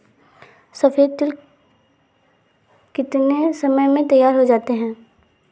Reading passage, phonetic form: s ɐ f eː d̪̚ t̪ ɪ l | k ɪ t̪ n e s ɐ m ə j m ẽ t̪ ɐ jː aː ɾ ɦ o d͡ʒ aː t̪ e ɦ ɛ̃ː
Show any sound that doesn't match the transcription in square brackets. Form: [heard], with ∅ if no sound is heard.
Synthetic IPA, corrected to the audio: s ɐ f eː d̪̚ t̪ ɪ l | k ɪ t̪ n e s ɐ m ə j m ẽ t̪ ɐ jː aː ɾ ɦ o d͡ʒ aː t̪ e ɦ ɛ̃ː